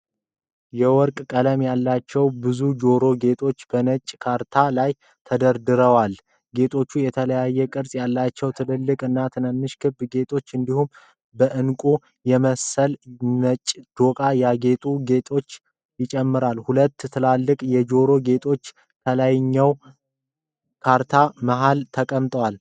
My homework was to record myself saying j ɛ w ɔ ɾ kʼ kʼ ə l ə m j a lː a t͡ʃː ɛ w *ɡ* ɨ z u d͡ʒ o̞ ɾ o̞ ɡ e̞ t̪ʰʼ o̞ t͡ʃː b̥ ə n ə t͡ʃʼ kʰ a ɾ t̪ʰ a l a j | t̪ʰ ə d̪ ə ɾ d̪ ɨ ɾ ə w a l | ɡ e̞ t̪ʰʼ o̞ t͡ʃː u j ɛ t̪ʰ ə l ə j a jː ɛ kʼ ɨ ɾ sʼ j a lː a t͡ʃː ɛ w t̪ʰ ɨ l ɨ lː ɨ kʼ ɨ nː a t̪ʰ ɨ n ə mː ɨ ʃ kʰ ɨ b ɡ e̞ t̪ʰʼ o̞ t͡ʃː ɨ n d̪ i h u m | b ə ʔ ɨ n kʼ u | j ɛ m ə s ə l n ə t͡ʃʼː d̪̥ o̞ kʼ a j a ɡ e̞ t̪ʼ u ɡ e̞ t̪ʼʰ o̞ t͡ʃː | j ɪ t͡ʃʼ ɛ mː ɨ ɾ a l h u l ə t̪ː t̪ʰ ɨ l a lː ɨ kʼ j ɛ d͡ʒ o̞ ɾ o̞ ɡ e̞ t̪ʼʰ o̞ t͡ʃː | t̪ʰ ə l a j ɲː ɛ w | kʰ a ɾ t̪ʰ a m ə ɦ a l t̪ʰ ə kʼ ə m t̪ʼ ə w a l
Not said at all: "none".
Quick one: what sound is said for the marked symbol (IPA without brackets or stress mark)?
b